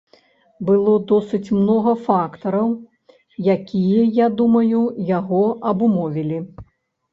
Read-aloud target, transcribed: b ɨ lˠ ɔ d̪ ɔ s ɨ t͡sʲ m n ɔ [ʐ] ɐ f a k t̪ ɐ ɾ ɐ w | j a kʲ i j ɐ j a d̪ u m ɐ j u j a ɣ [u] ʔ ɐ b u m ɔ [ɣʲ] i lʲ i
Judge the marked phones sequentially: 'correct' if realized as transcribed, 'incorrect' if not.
incorrect: ɣ, incorrect: ɔ, incorrect: vʲ

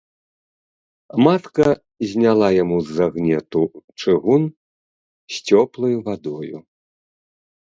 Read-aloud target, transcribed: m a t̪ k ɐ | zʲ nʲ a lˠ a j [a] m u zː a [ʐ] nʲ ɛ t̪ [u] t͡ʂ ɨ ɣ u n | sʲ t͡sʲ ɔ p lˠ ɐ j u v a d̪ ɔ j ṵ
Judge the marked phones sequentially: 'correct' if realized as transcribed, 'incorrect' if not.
correct, incorrect: ɣ, correct

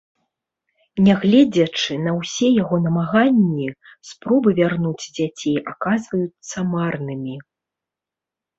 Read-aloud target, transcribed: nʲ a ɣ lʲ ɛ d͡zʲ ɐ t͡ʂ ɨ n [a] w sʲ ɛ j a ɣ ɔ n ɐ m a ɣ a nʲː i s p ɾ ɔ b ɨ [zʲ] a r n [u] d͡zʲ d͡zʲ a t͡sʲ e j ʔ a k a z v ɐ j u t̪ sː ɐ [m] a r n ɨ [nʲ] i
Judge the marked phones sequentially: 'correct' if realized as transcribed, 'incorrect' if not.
incorrect: ɐ, incorrect: vʲ, correct, correct, incorrect: mʲ

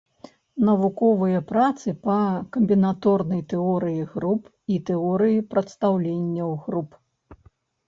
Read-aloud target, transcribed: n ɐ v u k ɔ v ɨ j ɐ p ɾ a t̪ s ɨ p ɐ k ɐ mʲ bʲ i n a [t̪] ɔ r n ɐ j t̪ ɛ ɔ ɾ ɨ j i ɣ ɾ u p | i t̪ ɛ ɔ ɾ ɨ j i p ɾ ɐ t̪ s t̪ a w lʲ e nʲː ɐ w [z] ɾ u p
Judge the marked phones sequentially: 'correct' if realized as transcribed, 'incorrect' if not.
correct, incorrect: ɣ

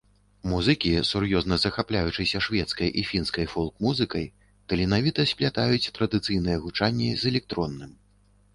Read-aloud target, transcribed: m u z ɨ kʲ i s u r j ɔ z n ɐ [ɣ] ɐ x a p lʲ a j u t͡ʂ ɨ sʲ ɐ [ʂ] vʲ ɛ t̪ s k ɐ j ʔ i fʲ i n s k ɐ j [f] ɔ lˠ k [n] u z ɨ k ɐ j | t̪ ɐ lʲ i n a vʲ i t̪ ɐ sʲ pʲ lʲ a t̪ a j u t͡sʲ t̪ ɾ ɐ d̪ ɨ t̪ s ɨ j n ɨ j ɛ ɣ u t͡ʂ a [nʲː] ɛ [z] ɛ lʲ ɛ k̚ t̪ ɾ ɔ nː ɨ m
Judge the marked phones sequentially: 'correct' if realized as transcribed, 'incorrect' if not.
incorrect: z, correct, correct, incorrect: m, correct, correct

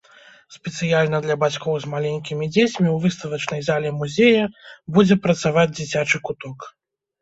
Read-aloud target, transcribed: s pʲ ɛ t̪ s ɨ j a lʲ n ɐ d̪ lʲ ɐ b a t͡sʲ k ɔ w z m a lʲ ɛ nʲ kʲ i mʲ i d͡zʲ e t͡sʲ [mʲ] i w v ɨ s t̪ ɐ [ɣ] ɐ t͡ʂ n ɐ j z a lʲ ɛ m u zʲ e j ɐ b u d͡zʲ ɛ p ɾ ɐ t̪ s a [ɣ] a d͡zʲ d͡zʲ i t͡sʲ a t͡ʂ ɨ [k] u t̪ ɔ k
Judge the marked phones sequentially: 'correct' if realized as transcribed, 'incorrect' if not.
correct, incorrect: v, incorrect: v, correct

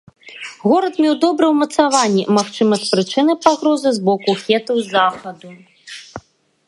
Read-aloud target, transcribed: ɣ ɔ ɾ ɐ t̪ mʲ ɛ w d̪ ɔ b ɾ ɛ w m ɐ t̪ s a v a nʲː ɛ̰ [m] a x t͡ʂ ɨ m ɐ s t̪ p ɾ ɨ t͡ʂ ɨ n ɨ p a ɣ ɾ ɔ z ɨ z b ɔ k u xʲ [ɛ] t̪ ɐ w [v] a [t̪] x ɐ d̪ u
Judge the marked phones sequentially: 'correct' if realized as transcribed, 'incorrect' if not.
correct, correct, incorrect: z, incorrect: none

